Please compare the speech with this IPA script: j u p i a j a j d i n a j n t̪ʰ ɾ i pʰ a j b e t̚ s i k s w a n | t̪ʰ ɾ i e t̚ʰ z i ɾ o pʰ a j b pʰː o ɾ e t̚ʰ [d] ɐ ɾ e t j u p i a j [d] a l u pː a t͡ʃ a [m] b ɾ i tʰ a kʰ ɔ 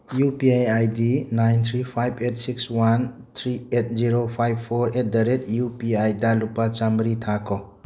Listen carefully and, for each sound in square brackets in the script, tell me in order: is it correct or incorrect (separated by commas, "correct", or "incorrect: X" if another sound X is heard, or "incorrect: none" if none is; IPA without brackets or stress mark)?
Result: correct, correct, correct